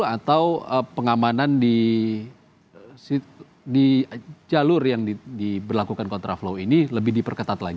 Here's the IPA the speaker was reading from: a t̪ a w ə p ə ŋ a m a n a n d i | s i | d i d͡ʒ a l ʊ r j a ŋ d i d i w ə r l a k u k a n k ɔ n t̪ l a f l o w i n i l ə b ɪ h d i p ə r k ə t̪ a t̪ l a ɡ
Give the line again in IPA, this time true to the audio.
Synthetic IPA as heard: a t̪ a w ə p ə ŋ a m a n a n d i | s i | d i d͡ʒ a l ʊ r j a ŋ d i d i b ə r l a k u k a n k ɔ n t̪ ɾ a f l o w i n i l ə b ɪ h d i p ə r k ə t̪ a t̪ l a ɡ